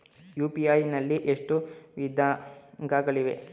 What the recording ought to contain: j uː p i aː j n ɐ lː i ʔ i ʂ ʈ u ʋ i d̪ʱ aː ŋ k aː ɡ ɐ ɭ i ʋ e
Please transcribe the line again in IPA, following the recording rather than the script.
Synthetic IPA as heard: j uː p i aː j n ɐ lː i ʔ e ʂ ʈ u ʋ i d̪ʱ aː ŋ ɡ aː ɡ ɐ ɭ i ʋ e

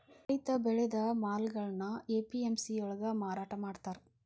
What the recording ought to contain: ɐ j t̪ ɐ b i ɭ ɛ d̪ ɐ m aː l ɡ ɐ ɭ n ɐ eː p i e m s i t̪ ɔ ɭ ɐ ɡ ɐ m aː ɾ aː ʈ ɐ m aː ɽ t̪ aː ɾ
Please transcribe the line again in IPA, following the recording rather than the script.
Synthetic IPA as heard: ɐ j t̪ ɐ b ɛ ɭ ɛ d̪ ɐ m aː l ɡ ɐ ɭ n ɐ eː p i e m s i ɔ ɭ ɐ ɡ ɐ m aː ɾ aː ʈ ɐ m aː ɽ t̪ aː ɾ

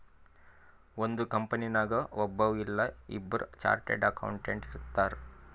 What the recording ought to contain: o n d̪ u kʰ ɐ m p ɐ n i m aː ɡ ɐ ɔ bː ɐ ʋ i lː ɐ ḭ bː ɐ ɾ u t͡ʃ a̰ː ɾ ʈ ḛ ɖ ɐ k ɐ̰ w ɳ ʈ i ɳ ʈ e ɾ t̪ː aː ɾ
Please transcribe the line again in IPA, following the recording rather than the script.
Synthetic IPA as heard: o n d̪ u k ɐ m p ɐ n i n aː ɡ ɐ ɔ bː ɐ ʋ i lː ɐ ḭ bː ɐ ɾ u t͡ʃ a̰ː ɾ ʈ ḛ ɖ ɐ k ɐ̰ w ɳ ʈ e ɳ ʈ i ɾ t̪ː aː ɾ

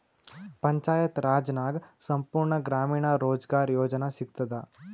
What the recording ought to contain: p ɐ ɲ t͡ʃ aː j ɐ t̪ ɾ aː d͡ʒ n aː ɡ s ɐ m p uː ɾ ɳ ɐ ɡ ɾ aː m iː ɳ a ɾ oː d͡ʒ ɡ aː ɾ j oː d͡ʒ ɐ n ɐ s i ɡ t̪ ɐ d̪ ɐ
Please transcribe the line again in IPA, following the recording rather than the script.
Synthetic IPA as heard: p ɐ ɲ t͡ʃ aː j ɐ t̪ ɾ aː d͡ʒ n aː ɡ s ɐ m p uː ɾ ɳ ɐ ɡ ɾ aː m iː ɳ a ɾ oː d͡ʒ ɡ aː ɾ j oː d͡ʒ ɐ n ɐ s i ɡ t̪ ɐ d̪ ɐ

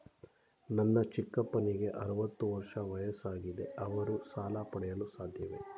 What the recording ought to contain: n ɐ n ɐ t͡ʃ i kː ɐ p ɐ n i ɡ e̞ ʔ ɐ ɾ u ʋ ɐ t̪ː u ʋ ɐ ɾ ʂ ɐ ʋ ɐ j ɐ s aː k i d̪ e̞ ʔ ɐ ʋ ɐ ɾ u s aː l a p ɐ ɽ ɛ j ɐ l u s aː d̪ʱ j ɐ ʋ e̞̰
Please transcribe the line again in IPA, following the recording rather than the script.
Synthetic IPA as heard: n ɐ nː ɐ t͡ʃ i kː ɐ p ɐ n i ɡ e̞ ʔ ɐ ɾ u ʋ ɐ t̪ː u ʋ ɐ ɾ ʂ ɐ ʋ ɐ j ɐ s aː ɡ i d̪ e̞ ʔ ɐ ʋ ɐ ɾ u s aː l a p ɐ ɽ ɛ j ɐ l u s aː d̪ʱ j ɐ ʋ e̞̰

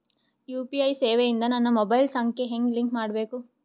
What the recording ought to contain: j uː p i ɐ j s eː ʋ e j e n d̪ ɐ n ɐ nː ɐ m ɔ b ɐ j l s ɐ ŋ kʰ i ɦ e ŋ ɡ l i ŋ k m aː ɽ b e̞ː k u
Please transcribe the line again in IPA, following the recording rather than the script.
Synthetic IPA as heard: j uː p i ɐ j s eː ʋ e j i n d̪ ɐ n ɐ nː ɐ m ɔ b ɐ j l s ɐ ŋ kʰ e ɦ e ŋ ɡ l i ŋ k m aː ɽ b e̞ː k u

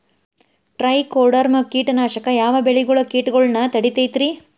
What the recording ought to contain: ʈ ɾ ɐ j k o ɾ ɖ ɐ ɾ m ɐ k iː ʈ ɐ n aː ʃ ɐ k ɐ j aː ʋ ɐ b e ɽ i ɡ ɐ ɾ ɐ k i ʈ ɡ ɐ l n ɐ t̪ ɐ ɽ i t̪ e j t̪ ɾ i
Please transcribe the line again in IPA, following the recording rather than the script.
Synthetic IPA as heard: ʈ ɾ ɐ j k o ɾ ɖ ɐ ɾ m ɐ k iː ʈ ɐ n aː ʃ ɐ k ɐ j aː ʋ ɐ b e ɭ i ɡ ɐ ɭ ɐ k iː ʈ ɡ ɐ ɭ n ɐ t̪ ɐ ɽ i t̪ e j t̪ ɾ i

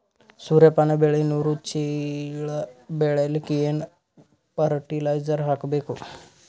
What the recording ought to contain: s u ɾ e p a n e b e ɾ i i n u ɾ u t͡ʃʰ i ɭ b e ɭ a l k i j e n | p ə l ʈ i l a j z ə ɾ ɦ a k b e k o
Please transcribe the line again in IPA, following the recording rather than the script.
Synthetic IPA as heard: s u ɾ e p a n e b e ɭ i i n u ɾ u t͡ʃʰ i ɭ b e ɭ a l k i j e n | p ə ɾ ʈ i l a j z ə ɾ ɦ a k b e k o

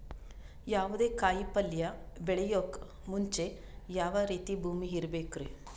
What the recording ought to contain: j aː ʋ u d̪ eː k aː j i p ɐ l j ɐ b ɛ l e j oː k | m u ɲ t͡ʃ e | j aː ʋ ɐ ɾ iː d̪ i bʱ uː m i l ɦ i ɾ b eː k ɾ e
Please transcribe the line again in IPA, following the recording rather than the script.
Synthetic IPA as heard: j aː ʋ u d̪ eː k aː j i p ɐ l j ɐ b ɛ ɭ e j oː k | m u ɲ t͡ʃ e | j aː ʋ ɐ ɾ iː t̪ i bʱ uː m i ɦ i ɾ b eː k ɾ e

